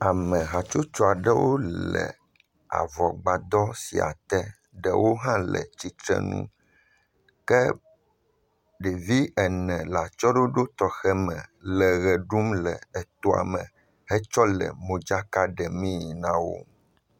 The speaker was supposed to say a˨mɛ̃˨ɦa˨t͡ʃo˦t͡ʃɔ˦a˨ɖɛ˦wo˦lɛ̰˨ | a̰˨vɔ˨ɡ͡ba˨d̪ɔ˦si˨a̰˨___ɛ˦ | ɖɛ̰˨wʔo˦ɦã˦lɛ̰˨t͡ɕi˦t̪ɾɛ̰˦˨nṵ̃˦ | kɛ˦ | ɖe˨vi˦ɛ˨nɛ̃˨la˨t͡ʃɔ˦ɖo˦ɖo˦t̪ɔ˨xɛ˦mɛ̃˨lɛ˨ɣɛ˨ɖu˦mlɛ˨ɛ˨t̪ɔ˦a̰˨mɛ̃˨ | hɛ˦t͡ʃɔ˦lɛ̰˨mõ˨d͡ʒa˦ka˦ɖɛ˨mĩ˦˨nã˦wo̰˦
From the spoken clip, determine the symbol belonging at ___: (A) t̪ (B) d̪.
A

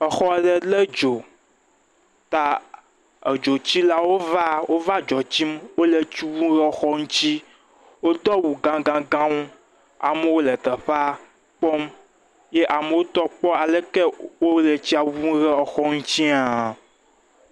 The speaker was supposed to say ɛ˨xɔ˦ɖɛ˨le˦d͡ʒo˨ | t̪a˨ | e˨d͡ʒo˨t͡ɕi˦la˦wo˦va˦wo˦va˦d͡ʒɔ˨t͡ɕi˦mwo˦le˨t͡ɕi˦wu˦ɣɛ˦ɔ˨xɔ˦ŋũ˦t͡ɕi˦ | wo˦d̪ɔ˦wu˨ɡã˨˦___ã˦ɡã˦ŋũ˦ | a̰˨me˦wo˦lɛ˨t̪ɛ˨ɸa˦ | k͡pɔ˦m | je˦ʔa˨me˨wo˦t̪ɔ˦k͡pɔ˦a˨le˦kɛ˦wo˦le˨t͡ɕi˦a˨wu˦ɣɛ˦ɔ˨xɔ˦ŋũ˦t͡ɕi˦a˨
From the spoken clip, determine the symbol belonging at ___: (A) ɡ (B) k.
A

